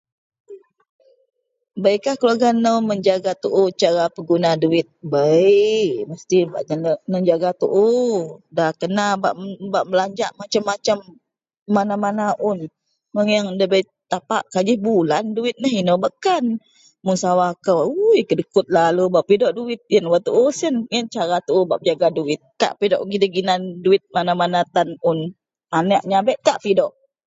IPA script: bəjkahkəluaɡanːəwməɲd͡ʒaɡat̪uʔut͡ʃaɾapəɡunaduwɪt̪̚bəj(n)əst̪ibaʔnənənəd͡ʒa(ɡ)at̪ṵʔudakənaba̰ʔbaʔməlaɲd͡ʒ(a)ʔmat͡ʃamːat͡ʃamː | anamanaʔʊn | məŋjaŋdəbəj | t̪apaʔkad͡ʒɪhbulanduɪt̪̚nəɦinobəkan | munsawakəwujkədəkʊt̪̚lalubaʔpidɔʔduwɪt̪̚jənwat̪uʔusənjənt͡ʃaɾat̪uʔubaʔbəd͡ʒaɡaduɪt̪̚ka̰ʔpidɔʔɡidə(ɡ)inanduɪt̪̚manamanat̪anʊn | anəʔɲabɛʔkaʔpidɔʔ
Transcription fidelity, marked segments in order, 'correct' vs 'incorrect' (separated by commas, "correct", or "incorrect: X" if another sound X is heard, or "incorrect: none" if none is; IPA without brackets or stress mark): incorrect: m, correct, correct, correct